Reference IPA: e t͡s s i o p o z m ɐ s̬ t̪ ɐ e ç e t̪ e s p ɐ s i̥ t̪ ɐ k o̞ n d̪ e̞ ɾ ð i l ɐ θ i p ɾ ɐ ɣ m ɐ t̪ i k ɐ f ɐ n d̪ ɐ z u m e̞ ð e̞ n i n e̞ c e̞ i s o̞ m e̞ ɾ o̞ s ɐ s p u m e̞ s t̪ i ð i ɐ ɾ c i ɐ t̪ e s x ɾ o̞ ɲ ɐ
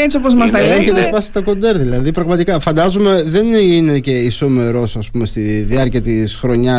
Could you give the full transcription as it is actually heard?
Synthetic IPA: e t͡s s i o p o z m ɐ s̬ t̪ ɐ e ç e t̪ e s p ɐ s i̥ t̪ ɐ k o̞ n d̪ e̞ ɾ ð i l ɐ ð i p ɾ ɐ ɣ m ɐ t̪ i k ɐ f ɐ n d̪ ɐ z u m e̞ ð e̞ n i n e̞ c e̞ i s o̞ m e̞ ɾ o̞ s ɐ s p u m e̞ s t̪ i ð i ɐ ɾ c i ɐ t̪ i s x ɾ o̞ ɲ ɐ